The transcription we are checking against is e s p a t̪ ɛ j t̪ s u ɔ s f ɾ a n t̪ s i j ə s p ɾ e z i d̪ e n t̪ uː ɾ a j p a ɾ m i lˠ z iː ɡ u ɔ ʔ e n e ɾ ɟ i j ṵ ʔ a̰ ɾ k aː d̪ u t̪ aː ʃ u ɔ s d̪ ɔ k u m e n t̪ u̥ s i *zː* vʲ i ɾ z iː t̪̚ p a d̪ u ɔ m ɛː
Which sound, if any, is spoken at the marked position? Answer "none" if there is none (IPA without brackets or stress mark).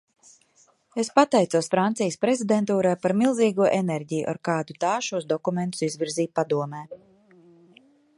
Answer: z